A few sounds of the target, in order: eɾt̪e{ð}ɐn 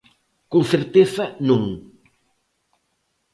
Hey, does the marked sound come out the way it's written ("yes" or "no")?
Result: no